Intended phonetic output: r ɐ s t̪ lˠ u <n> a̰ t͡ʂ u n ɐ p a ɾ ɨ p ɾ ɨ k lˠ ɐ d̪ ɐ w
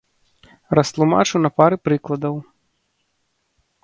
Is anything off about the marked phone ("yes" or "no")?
yes